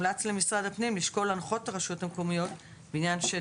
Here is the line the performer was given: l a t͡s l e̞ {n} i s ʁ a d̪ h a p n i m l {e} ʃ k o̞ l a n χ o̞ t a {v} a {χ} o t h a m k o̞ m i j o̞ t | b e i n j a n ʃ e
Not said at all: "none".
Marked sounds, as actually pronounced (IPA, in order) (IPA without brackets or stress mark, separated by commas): m, i, ʁ, ʃ